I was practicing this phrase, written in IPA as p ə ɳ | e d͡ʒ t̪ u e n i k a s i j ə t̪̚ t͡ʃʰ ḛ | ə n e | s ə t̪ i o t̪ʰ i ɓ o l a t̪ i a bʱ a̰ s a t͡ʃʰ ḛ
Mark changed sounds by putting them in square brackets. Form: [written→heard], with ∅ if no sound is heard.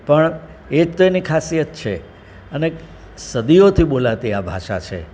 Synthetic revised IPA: p ə ɳ | e d͡ʒ t̪ [u→o] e n i [k→kʰ] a s i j ə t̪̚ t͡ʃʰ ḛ | ə n e | s ə [t̪→d̪] i o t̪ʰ i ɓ o l a t̪ i a bʱ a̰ [s→ʃ] a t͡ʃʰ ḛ